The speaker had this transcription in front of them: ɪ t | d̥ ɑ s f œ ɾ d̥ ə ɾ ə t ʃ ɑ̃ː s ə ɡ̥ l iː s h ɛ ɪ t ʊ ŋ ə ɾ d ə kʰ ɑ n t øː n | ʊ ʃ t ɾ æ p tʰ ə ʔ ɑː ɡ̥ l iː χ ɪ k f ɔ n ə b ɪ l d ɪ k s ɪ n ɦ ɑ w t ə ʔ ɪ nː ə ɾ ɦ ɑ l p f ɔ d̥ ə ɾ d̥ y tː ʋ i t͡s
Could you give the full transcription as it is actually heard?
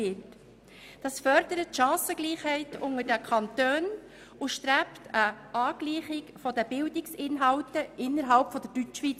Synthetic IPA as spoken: ɪ t | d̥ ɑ s f œ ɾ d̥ ə ɾ ə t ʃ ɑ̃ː s ə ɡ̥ l iː χ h ɛ ɪ t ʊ ŋ ə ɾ d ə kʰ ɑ n t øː n | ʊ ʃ t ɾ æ p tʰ ə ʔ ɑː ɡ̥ l iː χ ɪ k f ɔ d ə b ɪ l d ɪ k s ɪ n ɦ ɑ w t ə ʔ ɪ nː ə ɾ ɦ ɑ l p f ɔ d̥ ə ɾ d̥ y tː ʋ i t͡s